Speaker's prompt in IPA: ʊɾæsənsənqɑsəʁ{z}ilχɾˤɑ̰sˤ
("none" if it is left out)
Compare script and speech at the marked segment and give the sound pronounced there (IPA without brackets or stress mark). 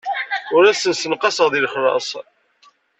ð